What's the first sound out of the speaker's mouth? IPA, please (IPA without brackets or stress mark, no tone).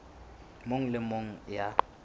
m